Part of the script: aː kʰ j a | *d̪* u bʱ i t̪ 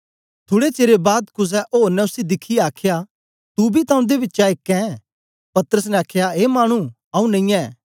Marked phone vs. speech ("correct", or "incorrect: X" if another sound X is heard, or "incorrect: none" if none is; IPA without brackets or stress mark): incorrect: t̪